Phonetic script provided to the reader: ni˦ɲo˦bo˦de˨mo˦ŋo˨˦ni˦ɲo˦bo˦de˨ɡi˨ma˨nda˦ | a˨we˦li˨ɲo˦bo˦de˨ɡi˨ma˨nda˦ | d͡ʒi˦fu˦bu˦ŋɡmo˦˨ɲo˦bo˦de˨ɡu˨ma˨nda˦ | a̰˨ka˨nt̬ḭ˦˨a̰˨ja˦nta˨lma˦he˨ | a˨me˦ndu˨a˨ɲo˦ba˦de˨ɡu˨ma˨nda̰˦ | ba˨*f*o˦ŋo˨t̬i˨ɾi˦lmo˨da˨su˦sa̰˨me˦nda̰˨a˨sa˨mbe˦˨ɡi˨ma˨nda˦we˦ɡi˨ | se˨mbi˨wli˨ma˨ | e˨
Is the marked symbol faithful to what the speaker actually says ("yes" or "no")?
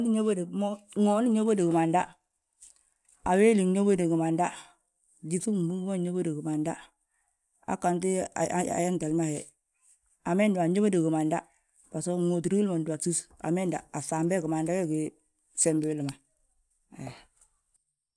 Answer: no